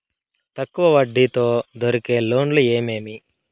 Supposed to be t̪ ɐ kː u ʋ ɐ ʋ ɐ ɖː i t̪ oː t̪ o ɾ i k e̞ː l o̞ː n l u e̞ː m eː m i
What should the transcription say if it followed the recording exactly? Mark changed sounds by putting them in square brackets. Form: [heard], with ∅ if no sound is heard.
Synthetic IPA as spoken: t̪ ɐ kː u ʋ ɐ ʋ ɐ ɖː i t̪ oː [d̪] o ɾ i k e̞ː l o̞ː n l u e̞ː m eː m i